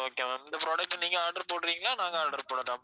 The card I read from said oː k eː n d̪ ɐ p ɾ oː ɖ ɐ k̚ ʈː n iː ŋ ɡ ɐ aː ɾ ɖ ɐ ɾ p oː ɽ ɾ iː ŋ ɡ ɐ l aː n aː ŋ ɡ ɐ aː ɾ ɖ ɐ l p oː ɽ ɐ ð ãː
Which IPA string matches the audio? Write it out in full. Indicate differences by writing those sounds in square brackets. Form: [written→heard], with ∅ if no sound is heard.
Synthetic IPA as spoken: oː k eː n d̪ ɐ p ɾ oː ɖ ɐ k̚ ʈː n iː ŋ ɡ ɐ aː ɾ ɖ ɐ ɾ p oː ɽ ɾ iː ŋ ɡ ɐ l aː n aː ŋ ɡ ɐ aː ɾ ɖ ɐ [l→ɾ] p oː ɽ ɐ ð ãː